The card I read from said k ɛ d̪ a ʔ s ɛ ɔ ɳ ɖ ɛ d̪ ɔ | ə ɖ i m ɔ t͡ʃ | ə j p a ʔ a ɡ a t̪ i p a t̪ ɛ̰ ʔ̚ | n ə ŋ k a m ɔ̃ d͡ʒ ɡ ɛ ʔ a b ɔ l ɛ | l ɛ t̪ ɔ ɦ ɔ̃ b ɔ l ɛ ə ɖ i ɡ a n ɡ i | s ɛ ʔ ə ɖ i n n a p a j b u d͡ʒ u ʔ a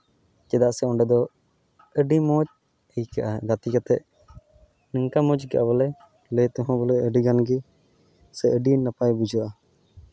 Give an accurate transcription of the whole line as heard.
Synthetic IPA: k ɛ d̪ a ʔ s ɛ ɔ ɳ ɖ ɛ d̪ ɔ | ə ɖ i m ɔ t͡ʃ | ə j k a ʔ a ɡ a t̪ i k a t̪ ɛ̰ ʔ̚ | n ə ŋ k a m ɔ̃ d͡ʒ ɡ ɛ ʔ a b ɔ l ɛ | l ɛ t̪ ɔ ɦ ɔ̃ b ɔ l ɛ ə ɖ i ɡ a n ɡ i | s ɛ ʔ ə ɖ i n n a p a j b u d͡ʒ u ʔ a